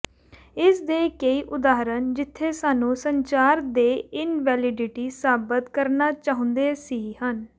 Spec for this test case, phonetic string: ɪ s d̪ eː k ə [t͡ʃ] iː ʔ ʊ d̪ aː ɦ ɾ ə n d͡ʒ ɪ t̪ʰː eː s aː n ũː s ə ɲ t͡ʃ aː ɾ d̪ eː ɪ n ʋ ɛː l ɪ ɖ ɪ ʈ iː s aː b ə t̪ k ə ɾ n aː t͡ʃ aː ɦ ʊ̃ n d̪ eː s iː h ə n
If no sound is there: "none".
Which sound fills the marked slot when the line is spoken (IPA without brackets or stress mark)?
none